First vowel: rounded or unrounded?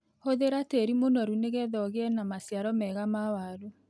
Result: rounded